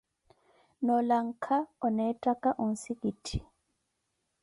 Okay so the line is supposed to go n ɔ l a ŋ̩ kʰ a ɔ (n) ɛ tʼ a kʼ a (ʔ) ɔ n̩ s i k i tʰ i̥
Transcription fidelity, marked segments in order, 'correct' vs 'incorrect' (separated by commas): correct, correct